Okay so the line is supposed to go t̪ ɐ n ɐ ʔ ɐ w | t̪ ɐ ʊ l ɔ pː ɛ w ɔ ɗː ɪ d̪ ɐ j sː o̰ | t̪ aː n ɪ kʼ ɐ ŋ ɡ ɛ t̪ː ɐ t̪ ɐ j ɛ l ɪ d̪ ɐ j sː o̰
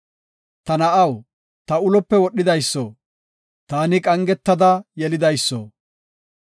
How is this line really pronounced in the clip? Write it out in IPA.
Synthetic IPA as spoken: t̪ ɐ n ɐ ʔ ɐ w | t̪ ɐ ʊ l ɔ pː ɛ w ɔ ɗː ɪ d̪ ɐ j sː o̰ | t̪ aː n ɪ kʼ ɐ ŋ ɡ ɛ t̪ː ɐ d̪ ɐ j ɛ l ɪ d̪ ɐ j sː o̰